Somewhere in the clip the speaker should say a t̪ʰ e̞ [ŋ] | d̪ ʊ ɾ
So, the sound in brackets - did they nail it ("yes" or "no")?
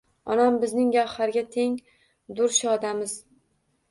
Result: yes